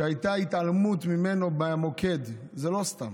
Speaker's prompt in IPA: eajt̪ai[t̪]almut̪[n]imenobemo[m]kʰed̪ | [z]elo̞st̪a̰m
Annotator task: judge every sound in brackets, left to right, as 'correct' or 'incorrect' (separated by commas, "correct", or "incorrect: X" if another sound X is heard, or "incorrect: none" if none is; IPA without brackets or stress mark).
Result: correct, incorrect: m, incorrect: none, correct